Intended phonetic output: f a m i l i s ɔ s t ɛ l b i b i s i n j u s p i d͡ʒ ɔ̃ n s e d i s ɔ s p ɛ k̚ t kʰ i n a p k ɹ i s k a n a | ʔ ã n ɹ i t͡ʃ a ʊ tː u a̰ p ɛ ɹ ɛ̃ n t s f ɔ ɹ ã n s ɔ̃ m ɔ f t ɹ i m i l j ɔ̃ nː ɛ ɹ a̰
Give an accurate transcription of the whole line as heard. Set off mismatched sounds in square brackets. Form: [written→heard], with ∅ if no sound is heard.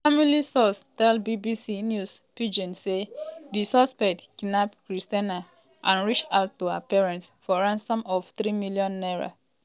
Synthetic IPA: f a m i l i s ɔ s t ɛ l b i b i s i n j u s p i d͡ʒ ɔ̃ n s e d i s ɔ s p ɛ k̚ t [kʰ→k] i n a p k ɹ i s [k→t] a n a | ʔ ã n ɹ i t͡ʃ a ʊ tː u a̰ p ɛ ɹ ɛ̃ n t s f ɔ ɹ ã n s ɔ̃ m ɔ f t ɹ i m i l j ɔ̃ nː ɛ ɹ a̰